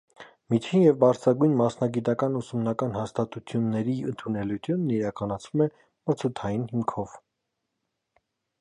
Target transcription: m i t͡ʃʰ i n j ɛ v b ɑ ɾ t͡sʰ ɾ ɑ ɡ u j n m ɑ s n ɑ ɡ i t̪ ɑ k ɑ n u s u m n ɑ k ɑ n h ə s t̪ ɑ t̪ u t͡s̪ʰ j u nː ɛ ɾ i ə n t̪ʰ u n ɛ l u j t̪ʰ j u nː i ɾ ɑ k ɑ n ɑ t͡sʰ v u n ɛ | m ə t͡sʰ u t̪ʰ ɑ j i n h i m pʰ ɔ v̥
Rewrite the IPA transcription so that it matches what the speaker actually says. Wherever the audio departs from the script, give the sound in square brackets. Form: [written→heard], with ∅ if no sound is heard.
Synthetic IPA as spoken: m i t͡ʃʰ i n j ɛ v b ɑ ɾ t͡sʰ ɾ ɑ ɡ u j n m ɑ s n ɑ ɡ i t̪ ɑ k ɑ n u s u m n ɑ k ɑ n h [ə→ɑ] s t̪ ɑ t̪ u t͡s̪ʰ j u nː ɛ ɾ i ə n t̪ʰ u n ɛ l u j t̪ʰ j u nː i ɾ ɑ k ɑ n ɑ t͡sʰ v u [n→m] ɛ | m ə t͡sʰ u t̪ʰ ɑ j i n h i m [pʰ→kʰ] ɔ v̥

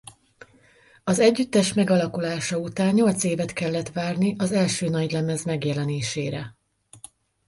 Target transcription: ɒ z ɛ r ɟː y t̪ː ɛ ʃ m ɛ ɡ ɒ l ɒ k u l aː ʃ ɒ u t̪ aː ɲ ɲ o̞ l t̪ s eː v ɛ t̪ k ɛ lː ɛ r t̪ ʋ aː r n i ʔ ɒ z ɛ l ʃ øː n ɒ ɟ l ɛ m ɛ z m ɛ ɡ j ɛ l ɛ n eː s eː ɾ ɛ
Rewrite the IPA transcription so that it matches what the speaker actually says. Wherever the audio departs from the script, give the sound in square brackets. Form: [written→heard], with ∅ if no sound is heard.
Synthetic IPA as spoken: ɒ z ɛ [r→∅] ɟː y t̪ː ɛ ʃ m ɛ ɡ ɒ l ɒ k u l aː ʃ ɒ u t̪ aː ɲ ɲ o̞ l t̪ s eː v ɛ t̪ k ɛ lː ɛ [r→∅] t̪ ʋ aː r n i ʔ ɒ z ɛ l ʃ øː n ɒ ɟ l ɛ m ɛ z m ɛ ɡ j ɛ l ɛ n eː [s→ʃ] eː ɾ ɛ

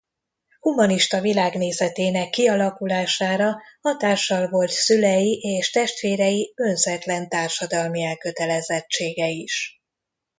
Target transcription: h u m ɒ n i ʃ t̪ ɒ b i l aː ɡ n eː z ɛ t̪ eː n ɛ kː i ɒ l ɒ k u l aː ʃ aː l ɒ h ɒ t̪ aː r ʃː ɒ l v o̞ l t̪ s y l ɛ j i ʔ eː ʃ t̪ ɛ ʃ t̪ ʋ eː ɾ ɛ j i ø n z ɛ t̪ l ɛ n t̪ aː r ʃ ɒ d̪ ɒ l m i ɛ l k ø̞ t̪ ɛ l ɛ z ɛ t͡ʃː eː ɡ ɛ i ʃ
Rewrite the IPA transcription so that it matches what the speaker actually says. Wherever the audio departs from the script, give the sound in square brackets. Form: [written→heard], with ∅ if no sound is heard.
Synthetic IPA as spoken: h u m ɒ n i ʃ t̪ ɒ [b→v] i l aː ɡ n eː z ɛ t̪ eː n ɛ kː i ɒ l ɒ k u l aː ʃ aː [l→ɾ] ɒ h ɒ t̪ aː r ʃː ɒ l v o̞ l t̪ s y l ɛ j i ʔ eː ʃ t̪ ɛ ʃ t̪ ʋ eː ɾ ɛ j i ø n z ɛ t̪ l ɛ n t̪ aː r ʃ ɒ d̪ ɒ l m i ɛ l k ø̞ t̪ ɛ l ɛ z ɛ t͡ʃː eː ɡ ɛ i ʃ

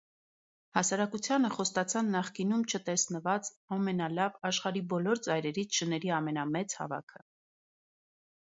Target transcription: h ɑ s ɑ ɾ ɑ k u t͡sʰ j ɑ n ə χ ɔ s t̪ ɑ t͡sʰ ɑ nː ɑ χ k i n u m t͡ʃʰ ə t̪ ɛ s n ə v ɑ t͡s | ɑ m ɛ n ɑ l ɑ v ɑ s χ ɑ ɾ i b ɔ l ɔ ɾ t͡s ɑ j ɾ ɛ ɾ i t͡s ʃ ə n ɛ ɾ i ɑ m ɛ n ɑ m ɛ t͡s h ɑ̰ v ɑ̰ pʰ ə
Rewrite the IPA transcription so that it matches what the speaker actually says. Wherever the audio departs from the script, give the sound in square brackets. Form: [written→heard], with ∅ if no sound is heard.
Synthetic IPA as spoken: h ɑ s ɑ ɾ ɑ k u t͡sʰ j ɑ n ə χ ɔ s t̪ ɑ t͡sʰ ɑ nː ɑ χ k i n u m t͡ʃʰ ə t̪ ɛ s n ə v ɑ t͡s | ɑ m ɛ n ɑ l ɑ v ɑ [s→ʃ] χ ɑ ɾ i b ɔ l ɔ ɾ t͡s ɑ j ɾ ɛ ɾ i [t͡s→t͡sʰ] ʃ ə n ɛ ɾ i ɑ m ɛ n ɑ m ɛ t͡s h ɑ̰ v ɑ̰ [pʰ→kʰ] ə

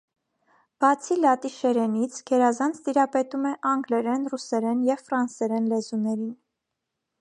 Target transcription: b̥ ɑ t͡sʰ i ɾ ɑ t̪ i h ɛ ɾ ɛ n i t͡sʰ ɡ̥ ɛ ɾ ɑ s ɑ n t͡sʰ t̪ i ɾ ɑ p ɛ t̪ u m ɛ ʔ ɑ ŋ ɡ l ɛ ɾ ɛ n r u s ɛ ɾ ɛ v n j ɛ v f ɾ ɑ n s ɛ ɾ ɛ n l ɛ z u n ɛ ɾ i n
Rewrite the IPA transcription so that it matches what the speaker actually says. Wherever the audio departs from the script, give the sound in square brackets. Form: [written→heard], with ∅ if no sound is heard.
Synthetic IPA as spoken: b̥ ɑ t͡sʰ i [ɾ→l] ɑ t̪ i [h→ʃ] ɛ ɾ ɛ n i t͡sʰ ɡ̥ ɛ ɾ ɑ [s→z] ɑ n t͡sʰ t̪ i ɾ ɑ p ɛ t̪ u m ɛ ʔ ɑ ŋ ɡ l ɛ ɾ ɛ n r u s ɛ ɾ ɛ [v→∅] n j ɛ v f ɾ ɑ n s ɛ ɾ ɛ n l ɛ z u n ɛ ɾ i n

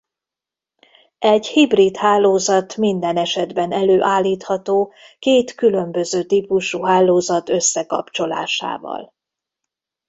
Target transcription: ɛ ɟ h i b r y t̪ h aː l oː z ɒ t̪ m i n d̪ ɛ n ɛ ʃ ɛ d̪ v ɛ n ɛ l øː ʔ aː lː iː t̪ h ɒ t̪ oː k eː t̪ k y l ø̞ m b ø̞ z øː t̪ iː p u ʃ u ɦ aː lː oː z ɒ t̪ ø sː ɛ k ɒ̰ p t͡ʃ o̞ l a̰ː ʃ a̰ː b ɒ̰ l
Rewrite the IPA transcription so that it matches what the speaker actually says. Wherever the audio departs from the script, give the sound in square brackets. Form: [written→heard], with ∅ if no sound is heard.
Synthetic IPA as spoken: ɛ ɟ h i b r [y→i] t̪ h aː l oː z ɒ t̪ m i n d̪ ɛ n ɛ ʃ ɛ d̪ [v→b] ɛ n ɛ l øː ʔ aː lː iː t̪ h ɒ t̪ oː k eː t̪ k y l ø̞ m b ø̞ z øː t̪ iː p u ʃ u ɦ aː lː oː z ɒ t̪ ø sː ɛ k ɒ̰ p t͡ʃ o̞ l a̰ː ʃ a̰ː [b→v] ɒ̰ l

